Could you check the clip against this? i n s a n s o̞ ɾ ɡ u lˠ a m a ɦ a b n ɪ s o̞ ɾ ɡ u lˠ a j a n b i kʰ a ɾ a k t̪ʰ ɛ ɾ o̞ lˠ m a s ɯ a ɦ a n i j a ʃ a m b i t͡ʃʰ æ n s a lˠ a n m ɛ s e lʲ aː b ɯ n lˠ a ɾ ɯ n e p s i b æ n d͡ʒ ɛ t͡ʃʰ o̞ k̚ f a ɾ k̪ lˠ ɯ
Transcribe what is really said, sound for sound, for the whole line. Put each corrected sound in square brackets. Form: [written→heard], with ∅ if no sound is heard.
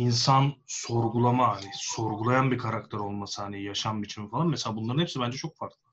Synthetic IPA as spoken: i n s a n s o̞ ɾ ɡ u lˠ a m a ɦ a [b→∅] n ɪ s o̞ ɾ ɡ u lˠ a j a n b i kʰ a ɾ a k t̪ʰ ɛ ɾ o̞ lˠ m a s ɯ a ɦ a n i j a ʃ a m b i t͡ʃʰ [æ→i] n [s→f] a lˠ a n m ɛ s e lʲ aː b [ɯ→u] n lˠ a ɾ ɯ n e p s i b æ n d͡ʒ ɛ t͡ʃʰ o̞ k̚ f a ɾ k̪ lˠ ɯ